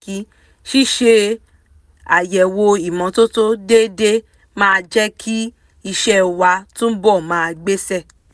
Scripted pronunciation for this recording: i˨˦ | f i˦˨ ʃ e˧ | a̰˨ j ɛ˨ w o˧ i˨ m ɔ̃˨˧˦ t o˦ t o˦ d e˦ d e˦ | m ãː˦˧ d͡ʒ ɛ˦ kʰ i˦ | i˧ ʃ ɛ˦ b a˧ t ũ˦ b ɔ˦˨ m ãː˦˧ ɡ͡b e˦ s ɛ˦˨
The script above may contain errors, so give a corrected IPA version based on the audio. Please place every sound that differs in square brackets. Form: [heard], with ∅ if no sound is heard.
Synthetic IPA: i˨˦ | [ʃ] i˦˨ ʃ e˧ | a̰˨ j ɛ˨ w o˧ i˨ m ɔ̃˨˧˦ t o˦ t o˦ d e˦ d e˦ | m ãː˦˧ d͡ʒ ɛ˦ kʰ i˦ | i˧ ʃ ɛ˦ [w] a˧ t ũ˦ b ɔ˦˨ m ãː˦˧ ɡ͡b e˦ s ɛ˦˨